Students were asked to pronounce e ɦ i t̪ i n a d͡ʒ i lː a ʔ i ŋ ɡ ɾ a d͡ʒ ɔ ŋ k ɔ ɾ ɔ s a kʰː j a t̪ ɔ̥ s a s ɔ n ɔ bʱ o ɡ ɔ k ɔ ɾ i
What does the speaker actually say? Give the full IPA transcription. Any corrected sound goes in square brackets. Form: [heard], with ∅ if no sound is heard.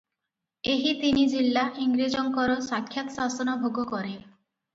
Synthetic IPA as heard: e ɦ i t̪ i n [i] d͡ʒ i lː a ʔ i ŋ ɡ ɾ [i] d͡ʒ ɔ ŋ k ɔ ɾ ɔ s a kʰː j a t̪ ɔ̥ s a s ɔ n ɔ bʱ o ɡ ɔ k ɔ ɾ [e]